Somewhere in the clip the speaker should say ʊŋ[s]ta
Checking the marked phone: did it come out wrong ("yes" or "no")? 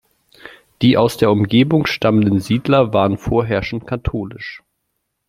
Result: yes